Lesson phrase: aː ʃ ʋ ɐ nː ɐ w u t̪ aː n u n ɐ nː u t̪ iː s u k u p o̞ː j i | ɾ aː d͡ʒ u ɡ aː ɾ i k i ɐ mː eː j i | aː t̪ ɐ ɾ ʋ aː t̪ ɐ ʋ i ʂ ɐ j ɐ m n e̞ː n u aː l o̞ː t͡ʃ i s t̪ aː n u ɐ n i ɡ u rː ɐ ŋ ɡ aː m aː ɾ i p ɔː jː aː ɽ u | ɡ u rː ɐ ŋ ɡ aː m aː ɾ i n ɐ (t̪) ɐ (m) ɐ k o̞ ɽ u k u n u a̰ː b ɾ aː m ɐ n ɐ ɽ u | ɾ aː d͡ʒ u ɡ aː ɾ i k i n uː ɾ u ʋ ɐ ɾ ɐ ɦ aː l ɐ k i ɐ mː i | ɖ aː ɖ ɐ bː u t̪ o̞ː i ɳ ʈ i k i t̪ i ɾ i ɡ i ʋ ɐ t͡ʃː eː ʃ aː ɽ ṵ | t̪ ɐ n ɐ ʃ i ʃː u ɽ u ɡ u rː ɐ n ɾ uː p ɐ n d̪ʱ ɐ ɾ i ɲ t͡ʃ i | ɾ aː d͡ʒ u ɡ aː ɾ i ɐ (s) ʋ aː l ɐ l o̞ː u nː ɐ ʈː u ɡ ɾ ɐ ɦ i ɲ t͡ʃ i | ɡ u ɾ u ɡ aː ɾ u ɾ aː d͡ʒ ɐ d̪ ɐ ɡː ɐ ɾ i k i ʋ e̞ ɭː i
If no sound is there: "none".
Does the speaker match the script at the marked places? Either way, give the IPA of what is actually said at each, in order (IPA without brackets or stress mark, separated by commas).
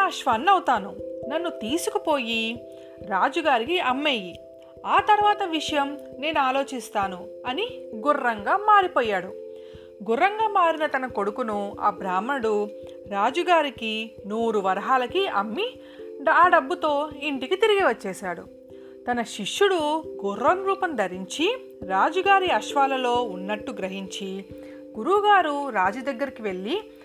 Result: t̪, n, ʃ